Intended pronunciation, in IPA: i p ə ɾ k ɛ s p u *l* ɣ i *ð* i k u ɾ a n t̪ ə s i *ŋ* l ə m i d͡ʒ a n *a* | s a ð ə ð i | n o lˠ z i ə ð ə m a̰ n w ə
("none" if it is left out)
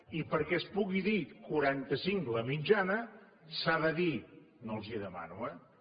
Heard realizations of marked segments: none, ð, ŋ, ə

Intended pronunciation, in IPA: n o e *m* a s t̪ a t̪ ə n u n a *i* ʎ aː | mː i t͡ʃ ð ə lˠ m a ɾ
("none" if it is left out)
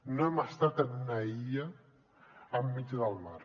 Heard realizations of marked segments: m, i

